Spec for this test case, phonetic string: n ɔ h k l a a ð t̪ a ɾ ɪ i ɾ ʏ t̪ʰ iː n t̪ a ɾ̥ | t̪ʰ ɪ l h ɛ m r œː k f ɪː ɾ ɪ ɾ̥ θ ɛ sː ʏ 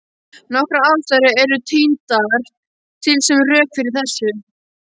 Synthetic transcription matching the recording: n ɔ h k ɾ a a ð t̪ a ɾ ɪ ɛ ɾ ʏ t̪ʰ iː n t̪ a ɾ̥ | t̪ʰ ɪ l s ɛ m r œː k f ɪ ɾ ɪ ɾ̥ θ ɛ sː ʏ